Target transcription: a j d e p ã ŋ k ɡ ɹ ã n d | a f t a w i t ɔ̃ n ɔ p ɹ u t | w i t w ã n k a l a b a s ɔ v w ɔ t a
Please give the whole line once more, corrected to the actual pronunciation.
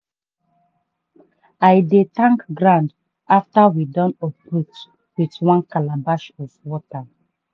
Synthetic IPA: a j d e t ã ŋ k ɡ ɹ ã n d | a f t a w i d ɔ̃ n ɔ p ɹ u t | w i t w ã n k a l a b a ʃ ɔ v w ɔ t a